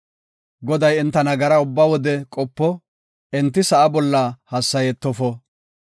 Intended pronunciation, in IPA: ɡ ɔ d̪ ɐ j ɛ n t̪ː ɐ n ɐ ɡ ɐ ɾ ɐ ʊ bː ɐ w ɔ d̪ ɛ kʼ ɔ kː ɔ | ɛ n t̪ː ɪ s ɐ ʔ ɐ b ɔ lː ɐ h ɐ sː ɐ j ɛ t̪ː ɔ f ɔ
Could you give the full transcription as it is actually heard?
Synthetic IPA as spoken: ɡ ɔ d̪ ɐ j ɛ n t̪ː ɐ n ɐ ɡ ɐ ɾ ɐ ʊ bː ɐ w ɔ d̪ ɛ kʼ ɔ pː ɔ | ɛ n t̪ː ɪ s ɐ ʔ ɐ b ɔ lː ɐ h ɐ sː ɐ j ɛ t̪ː ɔ f ɔ

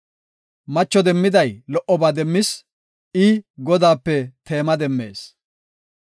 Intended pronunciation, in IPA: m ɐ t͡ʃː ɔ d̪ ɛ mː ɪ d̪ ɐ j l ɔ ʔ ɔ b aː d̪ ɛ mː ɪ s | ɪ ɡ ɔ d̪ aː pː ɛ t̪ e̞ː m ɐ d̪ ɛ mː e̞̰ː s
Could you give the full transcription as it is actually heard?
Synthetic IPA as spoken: m ɐ t͡ʃː ɔ d̪ ɛ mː ɪ d̪ ɐ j l ɔ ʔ ɔ b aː d̪ ɛ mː ɪ s | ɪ ɡ ɔ d̪ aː pː ɛ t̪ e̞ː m ɐ d̪ ɛ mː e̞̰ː s

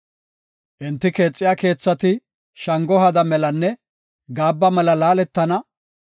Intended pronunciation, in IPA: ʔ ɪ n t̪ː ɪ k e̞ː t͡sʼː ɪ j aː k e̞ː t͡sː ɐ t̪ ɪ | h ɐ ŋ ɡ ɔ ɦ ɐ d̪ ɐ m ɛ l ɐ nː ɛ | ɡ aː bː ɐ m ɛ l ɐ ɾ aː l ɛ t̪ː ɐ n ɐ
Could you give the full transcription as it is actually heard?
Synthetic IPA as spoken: ʔ ɪ n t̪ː ɪ k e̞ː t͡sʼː ɪ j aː k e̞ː t͡sː ɐ t̪ ɪ | ʃ ɐ ŋ ɡ ɔ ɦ ɐ d̪ ɐ m ɛ l ɐ nː ɛ | ɡ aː bː ɐ m ɛ l ɐ l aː l ɛ t̪ː ɐ n ɐ

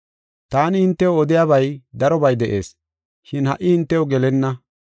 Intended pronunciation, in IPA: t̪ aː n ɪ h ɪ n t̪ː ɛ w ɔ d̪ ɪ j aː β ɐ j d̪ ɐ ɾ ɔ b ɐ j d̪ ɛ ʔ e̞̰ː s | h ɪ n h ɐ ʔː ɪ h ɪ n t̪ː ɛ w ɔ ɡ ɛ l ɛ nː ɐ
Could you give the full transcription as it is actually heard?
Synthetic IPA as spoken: t̪ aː n ɪ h ɪ n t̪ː ɛ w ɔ d̪ ɪ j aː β ɐ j d̪ ɐ ɾ ɔ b ɐ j d̪ ɛ ʔ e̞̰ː s | ʃ ɪ n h ɐ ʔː ɪ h ɪ n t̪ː ɛ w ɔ ɡ ɛ l ɛ nː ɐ

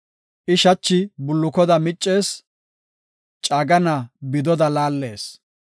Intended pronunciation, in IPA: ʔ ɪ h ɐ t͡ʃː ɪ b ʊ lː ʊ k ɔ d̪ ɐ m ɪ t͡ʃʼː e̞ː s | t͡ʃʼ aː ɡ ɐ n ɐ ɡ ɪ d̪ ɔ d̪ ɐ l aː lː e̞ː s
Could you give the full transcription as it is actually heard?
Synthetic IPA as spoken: ʔ ɪ ʃ ɐ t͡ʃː ɪ b ʊ lː ʊ k ɔ d̪ ɐ m ɪ t͡ʃʼː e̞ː s | t͡ʃʼ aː ɡ ɐ n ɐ b ɪ d̪ ɔ d̪ ɐ l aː lː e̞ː s

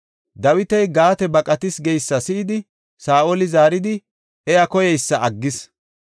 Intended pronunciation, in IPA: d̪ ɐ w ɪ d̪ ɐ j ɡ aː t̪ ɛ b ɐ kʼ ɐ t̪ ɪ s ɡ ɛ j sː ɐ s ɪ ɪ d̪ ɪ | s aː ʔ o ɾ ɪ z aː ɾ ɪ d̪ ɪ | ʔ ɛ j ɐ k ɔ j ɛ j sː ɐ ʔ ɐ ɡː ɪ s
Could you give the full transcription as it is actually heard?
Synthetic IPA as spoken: d̪ ɐ w ɪ t̪ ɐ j ɡ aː t̪ ɛ b ɐ kʼ ɐ t̪ ɪ s ɡ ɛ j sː ɐ s ɪ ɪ d̪ ɪ | s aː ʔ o l ɪ z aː ɾ ɪ d̪ ɪ | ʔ ɛ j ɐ k ɔ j ɛ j sː ɐ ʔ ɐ ɡː ɪ s

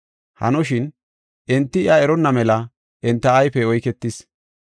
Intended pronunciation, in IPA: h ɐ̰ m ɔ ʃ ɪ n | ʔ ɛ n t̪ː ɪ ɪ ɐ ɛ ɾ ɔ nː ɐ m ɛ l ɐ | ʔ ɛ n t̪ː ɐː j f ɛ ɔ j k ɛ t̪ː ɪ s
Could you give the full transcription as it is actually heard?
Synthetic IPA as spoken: h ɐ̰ n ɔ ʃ ɪ n | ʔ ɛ n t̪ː ɪ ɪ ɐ ɛ ɾ ɔ nː ɐ m ɛ l ɐ | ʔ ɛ n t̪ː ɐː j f ɛ ɔ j k ɛ t̪ː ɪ s

